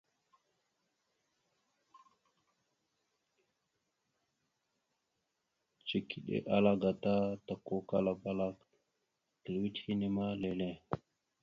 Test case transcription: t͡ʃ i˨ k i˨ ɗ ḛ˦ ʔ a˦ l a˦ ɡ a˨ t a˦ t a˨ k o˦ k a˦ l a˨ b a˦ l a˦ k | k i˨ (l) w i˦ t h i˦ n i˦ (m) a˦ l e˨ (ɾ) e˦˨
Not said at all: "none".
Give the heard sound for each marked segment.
l, m, l

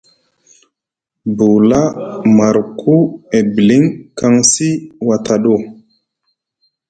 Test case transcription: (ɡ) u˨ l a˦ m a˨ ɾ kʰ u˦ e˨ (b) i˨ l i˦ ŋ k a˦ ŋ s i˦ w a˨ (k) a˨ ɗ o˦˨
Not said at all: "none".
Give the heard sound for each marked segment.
b, b, t

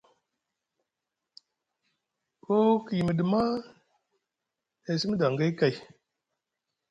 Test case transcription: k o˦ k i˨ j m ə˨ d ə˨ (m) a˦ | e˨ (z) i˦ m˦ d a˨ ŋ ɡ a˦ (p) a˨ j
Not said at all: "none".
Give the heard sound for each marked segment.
m, s, k

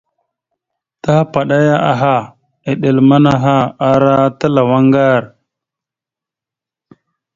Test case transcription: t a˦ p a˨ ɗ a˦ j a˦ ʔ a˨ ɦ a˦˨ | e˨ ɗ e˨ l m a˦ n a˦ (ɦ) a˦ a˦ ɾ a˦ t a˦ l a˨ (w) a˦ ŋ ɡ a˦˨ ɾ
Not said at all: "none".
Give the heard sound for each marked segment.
ɦ, w

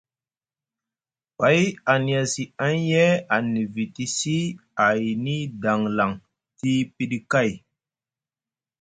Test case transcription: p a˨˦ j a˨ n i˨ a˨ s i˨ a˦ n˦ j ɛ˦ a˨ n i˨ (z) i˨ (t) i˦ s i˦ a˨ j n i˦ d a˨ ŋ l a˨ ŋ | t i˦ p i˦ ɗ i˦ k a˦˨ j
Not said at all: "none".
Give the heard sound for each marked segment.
v, t

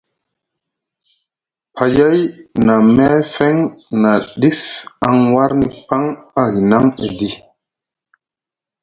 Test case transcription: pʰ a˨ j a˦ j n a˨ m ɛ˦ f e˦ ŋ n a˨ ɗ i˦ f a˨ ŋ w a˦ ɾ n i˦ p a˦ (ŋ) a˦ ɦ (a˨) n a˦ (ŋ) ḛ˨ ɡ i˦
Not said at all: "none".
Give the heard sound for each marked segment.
ŋ, i˨, ŋ

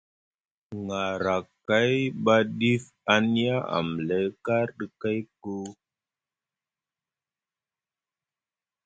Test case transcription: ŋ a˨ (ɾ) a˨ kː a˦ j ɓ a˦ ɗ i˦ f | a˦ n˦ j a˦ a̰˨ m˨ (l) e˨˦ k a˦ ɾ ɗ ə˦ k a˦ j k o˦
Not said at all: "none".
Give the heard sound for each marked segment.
ɾ, l

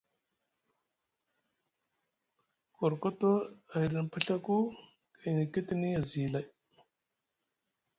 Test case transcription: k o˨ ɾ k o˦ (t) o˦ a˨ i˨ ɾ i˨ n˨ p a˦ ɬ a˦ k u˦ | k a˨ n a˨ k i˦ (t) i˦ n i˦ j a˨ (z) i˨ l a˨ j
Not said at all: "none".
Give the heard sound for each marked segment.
t, t, z

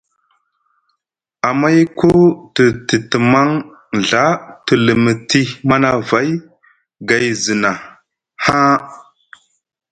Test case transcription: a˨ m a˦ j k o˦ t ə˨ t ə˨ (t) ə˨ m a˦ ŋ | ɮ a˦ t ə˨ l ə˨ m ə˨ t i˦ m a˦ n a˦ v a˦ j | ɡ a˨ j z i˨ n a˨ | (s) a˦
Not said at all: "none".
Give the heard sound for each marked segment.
t, h

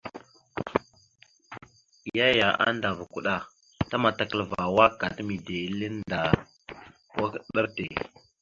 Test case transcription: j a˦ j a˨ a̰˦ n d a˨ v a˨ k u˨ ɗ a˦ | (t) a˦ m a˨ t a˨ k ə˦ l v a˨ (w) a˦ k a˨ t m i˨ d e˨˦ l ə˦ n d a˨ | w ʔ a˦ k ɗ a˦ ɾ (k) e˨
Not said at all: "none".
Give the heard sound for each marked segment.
t, w, t

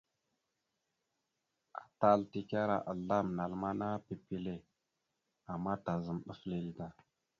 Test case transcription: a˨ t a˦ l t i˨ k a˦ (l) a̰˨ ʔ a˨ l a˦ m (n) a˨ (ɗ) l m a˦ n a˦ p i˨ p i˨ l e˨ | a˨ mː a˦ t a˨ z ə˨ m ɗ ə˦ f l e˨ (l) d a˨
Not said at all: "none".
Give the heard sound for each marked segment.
ɾ, n, none, l

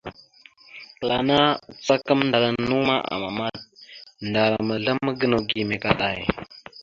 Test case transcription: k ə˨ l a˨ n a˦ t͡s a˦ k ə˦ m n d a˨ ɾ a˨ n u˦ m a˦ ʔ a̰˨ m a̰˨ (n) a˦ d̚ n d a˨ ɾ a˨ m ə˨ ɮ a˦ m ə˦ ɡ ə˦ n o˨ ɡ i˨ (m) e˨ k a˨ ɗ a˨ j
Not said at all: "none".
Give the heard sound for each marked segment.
m, m

